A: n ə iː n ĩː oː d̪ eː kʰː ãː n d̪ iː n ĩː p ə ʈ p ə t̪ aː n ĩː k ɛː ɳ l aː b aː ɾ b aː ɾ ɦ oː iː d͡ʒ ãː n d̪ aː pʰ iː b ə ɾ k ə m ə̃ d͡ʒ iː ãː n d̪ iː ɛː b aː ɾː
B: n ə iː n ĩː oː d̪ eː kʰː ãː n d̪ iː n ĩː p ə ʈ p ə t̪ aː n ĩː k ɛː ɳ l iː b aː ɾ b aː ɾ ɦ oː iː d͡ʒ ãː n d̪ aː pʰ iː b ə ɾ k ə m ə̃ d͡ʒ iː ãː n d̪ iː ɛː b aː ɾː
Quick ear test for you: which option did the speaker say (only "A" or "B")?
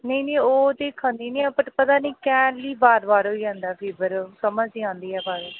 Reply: B